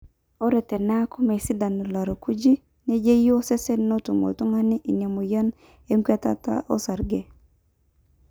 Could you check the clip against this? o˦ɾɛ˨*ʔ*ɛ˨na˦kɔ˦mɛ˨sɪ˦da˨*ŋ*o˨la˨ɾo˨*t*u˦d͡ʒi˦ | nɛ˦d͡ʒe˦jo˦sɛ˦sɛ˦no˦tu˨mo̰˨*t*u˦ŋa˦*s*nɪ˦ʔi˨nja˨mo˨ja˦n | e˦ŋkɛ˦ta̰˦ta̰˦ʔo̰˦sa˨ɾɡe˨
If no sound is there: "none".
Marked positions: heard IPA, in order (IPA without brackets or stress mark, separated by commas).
t, n, k, t, none